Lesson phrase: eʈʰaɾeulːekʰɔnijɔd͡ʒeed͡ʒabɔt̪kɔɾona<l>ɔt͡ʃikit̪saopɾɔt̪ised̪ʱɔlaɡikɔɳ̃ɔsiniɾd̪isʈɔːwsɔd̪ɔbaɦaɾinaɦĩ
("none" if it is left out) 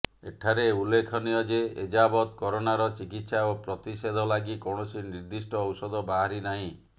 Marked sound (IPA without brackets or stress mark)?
ɾ